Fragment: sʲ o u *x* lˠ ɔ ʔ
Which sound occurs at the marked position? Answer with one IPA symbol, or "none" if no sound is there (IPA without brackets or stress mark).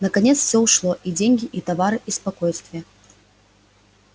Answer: ʂ